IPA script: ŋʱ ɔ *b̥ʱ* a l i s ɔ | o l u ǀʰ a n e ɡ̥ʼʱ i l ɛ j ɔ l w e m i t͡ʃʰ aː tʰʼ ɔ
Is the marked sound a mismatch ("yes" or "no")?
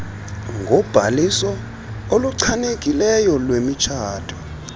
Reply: no